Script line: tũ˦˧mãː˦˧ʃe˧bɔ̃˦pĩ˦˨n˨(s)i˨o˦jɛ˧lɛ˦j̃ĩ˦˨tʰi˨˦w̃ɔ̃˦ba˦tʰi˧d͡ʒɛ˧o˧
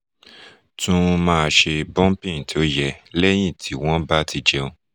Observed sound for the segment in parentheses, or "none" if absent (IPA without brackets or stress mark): t